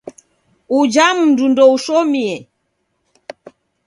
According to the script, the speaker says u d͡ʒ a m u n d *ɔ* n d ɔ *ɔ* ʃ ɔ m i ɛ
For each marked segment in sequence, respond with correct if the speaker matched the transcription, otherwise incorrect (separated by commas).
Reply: incorrect, incorrect